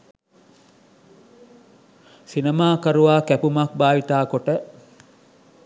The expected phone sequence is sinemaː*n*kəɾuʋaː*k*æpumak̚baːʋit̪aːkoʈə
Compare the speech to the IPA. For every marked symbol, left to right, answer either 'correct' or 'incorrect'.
incorrect: none, correct

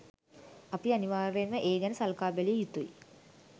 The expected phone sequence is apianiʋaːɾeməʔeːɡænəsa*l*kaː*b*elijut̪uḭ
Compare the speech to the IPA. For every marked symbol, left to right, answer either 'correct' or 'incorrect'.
correct, correct

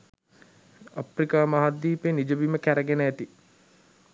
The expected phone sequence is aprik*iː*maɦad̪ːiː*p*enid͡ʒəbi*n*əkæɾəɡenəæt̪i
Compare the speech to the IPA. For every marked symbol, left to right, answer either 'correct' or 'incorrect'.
incorrect: aː, correct, incorrect: m

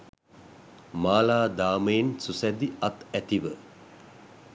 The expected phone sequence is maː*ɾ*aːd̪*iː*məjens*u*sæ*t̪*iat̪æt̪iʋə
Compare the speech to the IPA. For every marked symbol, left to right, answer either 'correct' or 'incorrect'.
incorrect: l, incorrect: aː, correct, incorrect: d̪

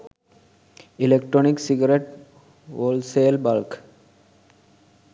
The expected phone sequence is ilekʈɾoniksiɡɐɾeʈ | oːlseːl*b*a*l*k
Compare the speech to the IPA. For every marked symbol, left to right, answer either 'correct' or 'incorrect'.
correct, correct

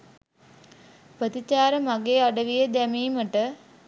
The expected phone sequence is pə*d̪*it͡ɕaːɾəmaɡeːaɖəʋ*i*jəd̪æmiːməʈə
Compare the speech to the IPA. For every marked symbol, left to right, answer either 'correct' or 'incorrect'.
incorrect: t̪, correct

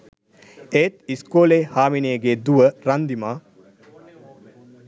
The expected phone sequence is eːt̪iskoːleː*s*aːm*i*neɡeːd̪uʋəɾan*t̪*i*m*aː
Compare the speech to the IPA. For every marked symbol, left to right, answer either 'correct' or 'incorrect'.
incorrect: h, correct, incorrect: d̪, correct

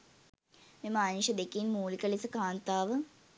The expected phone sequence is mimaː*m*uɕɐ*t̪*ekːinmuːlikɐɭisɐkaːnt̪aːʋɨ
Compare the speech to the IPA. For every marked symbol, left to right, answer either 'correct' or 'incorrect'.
incorrect: n, incorrect: d̪

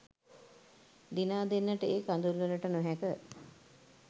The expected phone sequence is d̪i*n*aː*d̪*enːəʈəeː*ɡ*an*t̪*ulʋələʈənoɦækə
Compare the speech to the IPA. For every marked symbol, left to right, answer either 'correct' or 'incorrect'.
correct, correct, incorrect: k, incorrect: d̪

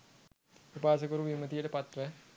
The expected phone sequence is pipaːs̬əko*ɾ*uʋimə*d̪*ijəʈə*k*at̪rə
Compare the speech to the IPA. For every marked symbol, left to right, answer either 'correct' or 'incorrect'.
correct, incorrect: t̪, incorrect: p

